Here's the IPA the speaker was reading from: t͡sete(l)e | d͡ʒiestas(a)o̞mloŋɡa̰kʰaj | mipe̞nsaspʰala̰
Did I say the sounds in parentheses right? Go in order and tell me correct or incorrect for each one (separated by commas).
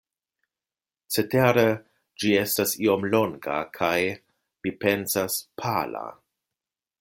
incorrect, incorrect